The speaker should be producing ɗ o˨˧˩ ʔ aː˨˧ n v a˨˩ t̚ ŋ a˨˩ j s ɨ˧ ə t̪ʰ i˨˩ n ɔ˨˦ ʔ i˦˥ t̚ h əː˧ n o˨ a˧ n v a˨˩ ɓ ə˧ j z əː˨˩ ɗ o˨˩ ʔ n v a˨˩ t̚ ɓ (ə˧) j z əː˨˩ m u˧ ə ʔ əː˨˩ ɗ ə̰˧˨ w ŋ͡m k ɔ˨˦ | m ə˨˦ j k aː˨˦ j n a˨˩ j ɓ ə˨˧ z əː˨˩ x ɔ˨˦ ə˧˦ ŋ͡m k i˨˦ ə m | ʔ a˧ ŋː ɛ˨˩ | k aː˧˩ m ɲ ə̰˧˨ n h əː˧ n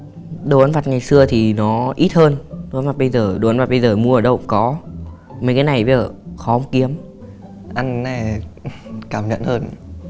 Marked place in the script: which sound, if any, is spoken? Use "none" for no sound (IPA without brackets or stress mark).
ə˧